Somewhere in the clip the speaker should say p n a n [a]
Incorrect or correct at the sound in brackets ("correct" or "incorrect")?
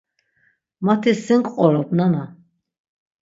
correct